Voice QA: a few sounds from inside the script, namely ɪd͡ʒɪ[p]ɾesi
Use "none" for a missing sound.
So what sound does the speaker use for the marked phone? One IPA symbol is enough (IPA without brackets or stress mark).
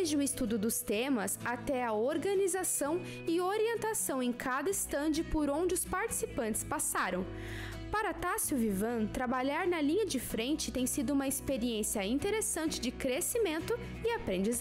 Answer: k